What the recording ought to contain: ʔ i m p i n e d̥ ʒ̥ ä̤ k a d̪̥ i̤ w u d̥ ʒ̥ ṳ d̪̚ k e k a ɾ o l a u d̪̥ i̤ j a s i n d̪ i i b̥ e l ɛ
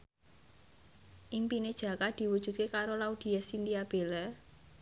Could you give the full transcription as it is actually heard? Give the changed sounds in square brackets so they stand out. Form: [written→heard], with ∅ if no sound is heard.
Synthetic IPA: ʔ i m p i n e d̥ ʒ̥ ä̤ k a d̪̥ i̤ w u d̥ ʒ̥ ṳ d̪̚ k e k a ɾ o l a u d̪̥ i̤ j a s i n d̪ i [i→a] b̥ e l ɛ